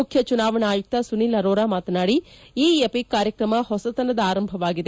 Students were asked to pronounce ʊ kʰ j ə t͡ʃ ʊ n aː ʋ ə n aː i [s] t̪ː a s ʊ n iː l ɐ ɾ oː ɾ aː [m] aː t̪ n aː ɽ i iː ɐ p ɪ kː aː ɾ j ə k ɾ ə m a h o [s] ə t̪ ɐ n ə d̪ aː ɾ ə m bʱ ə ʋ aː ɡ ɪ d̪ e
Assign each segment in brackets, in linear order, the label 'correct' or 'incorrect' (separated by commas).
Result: incorrect, correct, correct